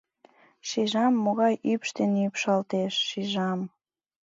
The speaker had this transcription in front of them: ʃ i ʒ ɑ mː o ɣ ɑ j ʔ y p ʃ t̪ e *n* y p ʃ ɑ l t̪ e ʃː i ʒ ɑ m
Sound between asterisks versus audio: correct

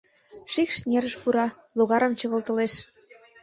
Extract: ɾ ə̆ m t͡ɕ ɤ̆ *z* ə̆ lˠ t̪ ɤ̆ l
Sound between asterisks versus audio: incorrect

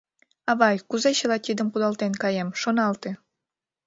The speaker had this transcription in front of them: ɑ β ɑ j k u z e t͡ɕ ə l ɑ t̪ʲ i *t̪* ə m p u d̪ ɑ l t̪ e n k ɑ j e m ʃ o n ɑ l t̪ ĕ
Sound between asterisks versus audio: incorrect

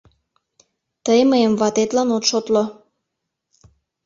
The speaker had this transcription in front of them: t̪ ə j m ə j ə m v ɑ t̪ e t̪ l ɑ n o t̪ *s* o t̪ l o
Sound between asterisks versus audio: incorrect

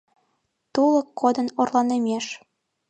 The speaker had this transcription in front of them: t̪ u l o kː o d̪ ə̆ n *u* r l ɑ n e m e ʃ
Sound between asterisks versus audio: incorrect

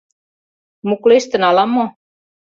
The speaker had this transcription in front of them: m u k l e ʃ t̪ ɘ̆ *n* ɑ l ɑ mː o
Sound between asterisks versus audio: correct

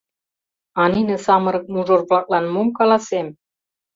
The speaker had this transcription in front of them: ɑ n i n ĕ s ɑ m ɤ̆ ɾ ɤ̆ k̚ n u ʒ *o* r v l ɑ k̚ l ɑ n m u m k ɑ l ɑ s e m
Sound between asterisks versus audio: correct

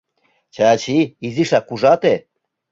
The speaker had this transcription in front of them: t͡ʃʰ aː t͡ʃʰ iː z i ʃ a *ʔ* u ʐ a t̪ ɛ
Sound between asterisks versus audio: incorrect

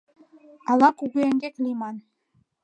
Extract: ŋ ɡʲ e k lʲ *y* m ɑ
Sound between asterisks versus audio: incorrect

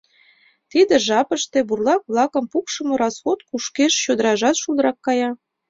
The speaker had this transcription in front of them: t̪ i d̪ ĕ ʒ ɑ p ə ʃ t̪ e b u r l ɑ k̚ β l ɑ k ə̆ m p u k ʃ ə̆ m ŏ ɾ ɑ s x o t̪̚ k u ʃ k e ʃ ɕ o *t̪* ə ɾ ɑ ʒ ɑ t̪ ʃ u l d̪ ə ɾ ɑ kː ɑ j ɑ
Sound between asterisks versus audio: incorrect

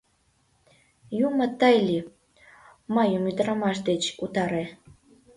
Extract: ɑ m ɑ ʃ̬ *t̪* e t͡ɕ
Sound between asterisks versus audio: incorrect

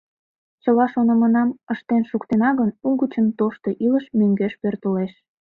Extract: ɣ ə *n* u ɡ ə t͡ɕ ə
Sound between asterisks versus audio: correct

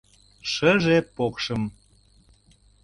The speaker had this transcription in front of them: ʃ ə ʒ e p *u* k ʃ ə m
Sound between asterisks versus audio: incorrect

